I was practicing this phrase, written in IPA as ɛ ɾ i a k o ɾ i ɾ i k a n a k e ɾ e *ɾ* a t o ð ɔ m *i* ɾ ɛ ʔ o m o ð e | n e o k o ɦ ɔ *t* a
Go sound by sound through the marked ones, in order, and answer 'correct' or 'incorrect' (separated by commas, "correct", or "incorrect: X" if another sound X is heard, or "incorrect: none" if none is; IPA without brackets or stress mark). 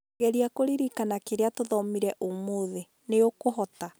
incorrect: none, correct, correct